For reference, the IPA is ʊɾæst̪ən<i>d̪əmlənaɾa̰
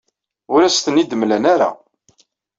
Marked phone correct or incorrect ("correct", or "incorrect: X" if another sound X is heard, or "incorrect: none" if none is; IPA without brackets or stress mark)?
correct